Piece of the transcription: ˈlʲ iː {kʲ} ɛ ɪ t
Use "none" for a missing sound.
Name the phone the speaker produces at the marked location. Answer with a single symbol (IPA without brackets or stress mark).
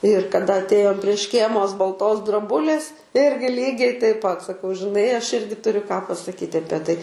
ɡʲ